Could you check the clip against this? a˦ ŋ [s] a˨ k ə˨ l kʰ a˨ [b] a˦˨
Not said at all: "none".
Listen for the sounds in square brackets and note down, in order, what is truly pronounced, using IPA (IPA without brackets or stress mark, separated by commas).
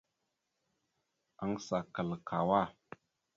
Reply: s, w